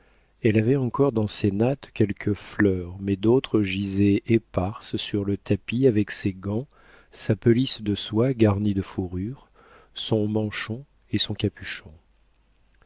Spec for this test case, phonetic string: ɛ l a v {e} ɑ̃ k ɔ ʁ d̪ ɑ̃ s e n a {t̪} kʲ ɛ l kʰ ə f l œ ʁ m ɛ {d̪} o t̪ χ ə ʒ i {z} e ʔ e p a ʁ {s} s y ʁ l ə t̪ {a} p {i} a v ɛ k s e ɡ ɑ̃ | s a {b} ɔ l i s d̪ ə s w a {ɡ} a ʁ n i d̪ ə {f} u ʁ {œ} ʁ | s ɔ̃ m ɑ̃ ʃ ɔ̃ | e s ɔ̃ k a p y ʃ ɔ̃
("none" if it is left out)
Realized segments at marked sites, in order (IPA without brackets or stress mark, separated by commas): ɛ, t̪, d̪, z, s, a, i, p, ɡ, f, y